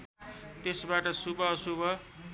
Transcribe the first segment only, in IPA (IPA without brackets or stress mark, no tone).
t̪